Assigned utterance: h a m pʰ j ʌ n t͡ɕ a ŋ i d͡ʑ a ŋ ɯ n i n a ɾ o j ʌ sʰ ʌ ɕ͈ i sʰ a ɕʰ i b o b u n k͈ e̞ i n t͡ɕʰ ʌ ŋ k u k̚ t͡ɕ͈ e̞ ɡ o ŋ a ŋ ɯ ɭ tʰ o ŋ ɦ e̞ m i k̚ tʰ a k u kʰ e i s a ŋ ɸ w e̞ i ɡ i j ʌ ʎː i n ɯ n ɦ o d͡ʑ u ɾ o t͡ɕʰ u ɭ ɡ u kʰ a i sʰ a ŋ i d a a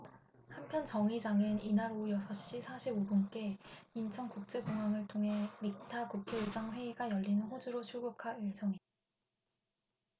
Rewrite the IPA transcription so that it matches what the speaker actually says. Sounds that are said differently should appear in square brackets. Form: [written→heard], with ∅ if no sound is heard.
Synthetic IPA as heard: h a m pʰ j ʌ n t͡ɕ [a→ʌ] ŋ i d͡ʑ a ŋ ɯ n i n a ɾ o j ʌ sʰ ʌ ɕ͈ i sʰ a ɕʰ i b o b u n k͈ e̞ i n t͡ɕʰ ʌ ŋ k u k̚ t͡ɕ͈ e̞ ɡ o ŋ a ŋ ɯ ɭ tʰ o ŋ ɦ e̞ m i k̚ tʰ a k u kʰ e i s a ŋ ɸ w e̞ i ɡ [i→a] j ʌ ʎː i n ɯ n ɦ o d͡ʑ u ɾ o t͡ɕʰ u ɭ ɡ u kʰ a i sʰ [a→ʌ] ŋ i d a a